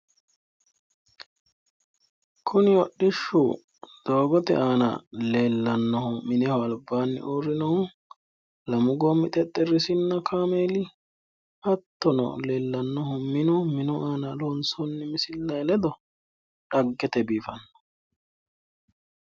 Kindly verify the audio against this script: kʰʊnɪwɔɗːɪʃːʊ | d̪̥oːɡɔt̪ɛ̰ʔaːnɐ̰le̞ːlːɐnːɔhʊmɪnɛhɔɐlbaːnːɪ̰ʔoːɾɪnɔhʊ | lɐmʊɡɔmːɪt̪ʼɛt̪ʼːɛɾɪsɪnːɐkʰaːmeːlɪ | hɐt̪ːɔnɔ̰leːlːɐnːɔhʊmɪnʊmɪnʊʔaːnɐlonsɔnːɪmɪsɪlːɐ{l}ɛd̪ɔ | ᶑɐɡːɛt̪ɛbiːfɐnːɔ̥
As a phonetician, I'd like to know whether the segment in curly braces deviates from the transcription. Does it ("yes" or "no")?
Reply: no